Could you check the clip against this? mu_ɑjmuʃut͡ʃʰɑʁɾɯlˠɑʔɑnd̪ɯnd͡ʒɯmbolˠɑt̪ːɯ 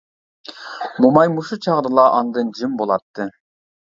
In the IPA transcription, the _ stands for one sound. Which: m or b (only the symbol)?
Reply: m